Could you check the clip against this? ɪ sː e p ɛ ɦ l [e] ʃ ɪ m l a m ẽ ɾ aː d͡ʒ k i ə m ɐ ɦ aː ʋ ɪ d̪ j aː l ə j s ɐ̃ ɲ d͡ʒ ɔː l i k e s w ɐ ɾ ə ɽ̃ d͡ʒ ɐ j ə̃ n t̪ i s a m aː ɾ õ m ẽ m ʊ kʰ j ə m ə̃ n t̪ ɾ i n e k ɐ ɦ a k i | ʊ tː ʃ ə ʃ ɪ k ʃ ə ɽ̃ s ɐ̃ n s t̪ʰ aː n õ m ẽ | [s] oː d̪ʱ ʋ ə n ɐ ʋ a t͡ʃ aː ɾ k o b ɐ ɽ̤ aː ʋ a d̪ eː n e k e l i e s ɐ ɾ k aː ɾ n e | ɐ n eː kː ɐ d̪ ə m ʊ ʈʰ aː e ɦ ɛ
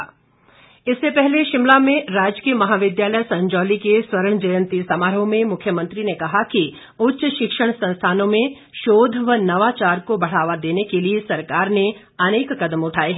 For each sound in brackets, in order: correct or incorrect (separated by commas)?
correct, incorrect